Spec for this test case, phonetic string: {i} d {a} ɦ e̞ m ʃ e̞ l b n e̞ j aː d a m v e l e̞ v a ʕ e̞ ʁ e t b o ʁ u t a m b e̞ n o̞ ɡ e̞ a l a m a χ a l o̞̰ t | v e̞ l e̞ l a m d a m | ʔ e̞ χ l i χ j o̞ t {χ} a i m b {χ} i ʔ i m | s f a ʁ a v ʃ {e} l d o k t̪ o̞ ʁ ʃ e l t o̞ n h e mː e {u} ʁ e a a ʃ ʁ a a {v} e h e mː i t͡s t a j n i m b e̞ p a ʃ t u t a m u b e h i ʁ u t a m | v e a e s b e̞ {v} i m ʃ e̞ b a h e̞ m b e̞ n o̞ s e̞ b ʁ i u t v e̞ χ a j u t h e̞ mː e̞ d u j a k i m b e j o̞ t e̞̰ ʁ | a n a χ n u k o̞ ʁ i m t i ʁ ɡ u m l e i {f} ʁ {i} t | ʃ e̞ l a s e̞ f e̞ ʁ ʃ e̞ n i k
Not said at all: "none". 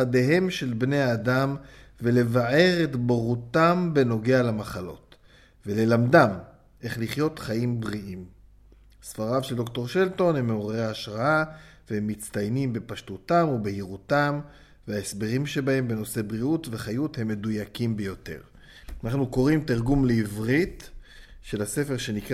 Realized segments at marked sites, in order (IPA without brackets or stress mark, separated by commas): a, e, χ, ʁ, e, o, v, ʁ, v, i